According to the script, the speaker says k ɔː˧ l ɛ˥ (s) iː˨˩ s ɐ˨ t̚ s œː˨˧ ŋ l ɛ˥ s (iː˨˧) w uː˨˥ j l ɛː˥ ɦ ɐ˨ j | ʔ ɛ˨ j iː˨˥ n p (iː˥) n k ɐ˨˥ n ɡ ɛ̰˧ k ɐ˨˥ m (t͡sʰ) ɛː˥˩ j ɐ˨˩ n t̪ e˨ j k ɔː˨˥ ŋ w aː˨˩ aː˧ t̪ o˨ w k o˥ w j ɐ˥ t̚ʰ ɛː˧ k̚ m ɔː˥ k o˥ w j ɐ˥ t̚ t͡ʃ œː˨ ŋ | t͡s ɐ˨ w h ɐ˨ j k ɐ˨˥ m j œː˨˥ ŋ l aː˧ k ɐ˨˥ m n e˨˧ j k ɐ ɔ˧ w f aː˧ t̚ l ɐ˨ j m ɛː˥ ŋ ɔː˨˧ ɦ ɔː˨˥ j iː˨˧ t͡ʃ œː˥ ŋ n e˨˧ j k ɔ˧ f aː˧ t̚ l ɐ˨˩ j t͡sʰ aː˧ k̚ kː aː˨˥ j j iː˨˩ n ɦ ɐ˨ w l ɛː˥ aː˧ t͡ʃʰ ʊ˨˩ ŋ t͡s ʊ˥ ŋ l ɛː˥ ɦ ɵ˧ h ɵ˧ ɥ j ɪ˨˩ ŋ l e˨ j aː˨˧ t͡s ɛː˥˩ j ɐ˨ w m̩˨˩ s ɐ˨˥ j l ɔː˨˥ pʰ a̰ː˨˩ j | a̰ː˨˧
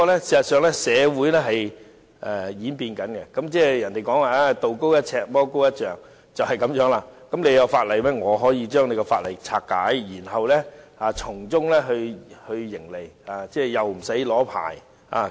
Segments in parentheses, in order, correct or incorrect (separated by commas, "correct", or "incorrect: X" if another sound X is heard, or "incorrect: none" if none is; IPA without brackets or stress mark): correct, incorrect: ɛː˨˧, incorrect: iː˧, incorrect: t͡s